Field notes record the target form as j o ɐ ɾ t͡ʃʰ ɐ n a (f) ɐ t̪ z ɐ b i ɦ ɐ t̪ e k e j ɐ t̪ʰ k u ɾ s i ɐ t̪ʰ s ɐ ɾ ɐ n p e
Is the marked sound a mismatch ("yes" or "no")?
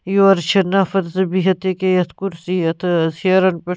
no